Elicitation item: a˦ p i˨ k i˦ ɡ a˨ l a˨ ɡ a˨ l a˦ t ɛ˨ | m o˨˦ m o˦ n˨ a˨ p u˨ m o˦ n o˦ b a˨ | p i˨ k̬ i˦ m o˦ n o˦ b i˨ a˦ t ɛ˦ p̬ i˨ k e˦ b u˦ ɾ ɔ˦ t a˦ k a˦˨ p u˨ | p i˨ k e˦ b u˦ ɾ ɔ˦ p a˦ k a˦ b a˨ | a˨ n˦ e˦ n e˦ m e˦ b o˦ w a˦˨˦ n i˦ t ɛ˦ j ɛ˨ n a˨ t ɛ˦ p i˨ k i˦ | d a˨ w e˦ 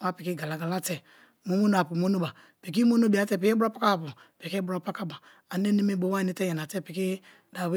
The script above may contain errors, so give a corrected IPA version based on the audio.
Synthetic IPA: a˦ p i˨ k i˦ ɡ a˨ l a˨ ɡ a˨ l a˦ t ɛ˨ | m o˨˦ m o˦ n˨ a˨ p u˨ m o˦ n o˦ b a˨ | p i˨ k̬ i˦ m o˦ n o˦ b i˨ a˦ t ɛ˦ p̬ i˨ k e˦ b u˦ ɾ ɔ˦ p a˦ k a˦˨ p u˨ | p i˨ k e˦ b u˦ ɾ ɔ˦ p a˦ k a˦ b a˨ | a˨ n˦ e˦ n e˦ m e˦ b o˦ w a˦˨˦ n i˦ t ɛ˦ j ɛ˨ n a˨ t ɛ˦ p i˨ k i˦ | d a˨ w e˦